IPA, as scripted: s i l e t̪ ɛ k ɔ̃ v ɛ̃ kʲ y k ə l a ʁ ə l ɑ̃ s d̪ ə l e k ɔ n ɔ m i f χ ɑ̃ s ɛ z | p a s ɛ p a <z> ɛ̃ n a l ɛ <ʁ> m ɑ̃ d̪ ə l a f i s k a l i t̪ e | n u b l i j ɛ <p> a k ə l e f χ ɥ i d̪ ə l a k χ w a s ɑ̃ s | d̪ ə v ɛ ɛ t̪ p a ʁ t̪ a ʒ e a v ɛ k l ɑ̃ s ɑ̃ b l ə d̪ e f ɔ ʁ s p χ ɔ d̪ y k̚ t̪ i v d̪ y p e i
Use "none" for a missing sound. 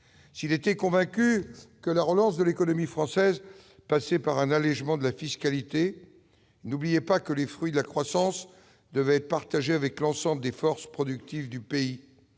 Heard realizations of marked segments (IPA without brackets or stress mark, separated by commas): ʁ, ʒ, p